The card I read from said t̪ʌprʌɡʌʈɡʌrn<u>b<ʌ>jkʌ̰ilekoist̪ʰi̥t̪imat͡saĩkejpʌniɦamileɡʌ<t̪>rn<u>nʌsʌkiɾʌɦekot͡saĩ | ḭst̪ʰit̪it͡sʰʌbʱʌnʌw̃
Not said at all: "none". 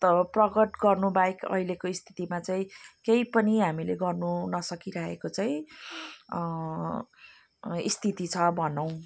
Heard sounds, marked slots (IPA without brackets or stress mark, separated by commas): u, a, none, u